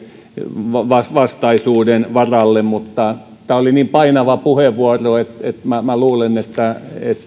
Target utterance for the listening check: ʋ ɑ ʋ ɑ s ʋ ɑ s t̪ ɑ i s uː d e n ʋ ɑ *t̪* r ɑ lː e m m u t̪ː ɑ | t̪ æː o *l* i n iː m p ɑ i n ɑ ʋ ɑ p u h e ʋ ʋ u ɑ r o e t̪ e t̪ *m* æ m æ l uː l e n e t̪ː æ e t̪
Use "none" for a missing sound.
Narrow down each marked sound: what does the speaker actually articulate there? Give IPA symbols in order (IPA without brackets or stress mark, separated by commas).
none, l, m